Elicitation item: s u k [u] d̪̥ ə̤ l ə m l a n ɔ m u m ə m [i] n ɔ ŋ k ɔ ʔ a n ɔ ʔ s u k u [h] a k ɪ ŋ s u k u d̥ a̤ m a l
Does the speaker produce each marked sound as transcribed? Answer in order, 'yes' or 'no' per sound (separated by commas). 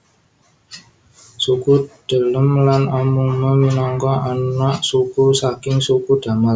yes, yes, no